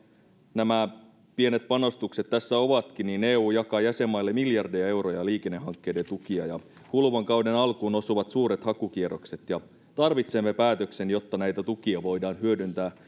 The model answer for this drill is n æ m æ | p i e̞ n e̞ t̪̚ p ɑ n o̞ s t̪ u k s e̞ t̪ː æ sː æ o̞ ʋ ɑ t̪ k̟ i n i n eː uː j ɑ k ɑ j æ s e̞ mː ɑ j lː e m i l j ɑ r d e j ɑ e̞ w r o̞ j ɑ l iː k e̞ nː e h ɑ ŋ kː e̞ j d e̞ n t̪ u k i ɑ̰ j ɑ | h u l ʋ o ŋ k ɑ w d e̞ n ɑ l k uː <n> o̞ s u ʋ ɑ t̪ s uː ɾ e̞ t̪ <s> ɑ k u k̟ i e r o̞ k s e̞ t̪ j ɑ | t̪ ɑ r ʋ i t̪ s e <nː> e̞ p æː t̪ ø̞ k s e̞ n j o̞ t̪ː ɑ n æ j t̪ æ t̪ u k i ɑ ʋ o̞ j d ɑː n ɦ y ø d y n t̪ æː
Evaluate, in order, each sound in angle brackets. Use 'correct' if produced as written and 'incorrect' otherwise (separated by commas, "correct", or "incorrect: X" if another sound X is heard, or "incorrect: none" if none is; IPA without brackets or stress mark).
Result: correct, incorrect: h, incorrect: mː